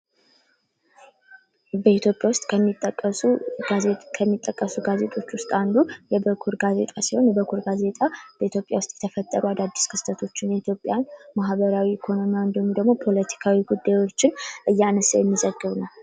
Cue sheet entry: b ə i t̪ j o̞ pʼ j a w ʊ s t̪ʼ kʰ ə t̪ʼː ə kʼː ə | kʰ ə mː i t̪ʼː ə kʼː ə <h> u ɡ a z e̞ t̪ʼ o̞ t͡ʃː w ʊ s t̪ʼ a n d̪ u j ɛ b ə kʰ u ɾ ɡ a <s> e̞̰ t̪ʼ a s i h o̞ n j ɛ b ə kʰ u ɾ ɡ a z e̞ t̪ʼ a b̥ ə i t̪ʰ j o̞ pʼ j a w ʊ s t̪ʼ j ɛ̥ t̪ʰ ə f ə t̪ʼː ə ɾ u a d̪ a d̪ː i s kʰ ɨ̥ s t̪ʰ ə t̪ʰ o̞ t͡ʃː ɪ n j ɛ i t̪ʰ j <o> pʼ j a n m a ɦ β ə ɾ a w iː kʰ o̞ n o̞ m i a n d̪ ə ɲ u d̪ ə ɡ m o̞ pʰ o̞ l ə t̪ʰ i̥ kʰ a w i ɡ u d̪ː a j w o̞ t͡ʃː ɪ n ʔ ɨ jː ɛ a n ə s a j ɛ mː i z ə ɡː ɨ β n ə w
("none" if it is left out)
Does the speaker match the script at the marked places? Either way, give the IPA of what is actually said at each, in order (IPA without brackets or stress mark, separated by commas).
s, z, o